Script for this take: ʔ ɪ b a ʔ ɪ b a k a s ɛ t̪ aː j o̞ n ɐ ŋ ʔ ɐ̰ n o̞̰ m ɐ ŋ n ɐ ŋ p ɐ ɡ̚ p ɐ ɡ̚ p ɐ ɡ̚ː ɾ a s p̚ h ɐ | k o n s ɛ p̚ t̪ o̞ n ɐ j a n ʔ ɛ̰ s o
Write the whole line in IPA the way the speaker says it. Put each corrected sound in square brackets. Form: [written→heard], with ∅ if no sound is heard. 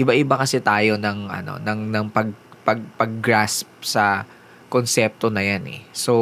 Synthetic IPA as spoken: ʔ ɪ b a ʔ ɪ b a k [a→ɐ] s ɛ t̪ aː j o̞ n ɐ ŋ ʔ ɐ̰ n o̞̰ [m→n] ɐ ŋ n ɐ ŋ p ɐ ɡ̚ p ɐ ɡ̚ p ɐ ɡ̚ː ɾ a s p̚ [h→s] ɐ | k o n s ɛ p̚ t̪ o̞ n ɐ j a n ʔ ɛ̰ s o